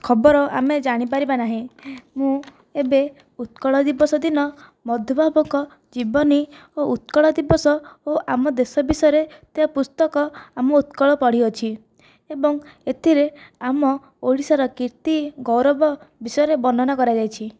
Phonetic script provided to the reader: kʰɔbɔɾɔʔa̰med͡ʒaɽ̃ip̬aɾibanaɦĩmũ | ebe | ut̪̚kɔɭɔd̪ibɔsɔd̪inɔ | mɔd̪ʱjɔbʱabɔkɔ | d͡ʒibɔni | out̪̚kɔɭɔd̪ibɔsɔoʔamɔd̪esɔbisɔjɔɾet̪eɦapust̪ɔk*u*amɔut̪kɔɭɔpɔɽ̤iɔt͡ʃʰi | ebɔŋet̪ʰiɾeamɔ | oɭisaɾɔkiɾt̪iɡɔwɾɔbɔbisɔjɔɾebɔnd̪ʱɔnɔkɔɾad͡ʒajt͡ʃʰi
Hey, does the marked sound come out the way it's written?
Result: no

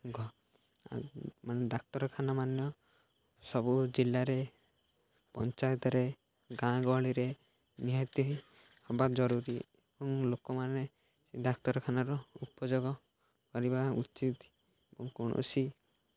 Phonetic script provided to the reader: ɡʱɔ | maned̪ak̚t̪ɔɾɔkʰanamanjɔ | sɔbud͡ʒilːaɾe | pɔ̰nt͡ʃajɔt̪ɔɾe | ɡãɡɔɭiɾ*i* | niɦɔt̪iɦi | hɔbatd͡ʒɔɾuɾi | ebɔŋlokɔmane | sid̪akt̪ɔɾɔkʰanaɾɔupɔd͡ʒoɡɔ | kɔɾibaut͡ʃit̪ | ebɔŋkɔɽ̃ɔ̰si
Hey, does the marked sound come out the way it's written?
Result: no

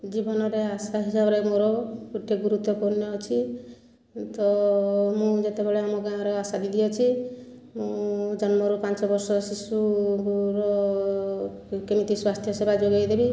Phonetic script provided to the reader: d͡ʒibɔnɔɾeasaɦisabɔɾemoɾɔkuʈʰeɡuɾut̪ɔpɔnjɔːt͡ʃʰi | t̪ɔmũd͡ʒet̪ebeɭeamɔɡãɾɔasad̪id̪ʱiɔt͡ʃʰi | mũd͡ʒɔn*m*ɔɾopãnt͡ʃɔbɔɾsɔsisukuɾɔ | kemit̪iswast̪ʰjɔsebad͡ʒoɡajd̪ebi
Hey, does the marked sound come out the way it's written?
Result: yes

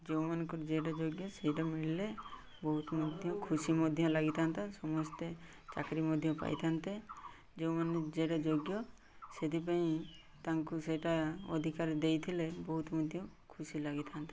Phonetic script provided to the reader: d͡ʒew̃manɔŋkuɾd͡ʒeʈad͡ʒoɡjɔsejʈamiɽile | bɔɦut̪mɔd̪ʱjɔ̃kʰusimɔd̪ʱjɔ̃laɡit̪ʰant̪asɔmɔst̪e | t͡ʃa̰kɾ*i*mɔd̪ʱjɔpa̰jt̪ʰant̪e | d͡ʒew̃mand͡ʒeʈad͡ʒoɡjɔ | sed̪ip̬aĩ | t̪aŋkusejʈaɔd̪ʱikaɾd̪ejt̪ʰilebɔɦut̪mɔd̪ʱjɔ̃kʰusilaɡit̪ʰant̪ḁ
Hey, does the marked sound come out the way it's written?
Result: yes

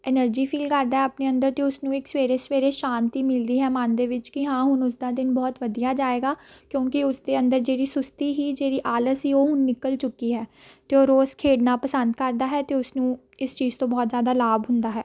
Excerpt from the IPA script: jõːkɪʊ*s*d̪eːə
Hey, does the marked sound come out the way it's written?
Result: yes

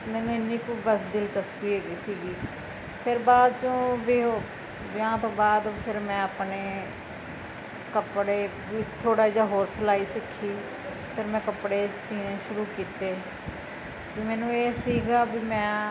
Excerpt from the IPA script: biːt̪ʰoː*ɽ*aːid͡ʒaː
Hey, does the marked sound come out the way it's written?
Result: yes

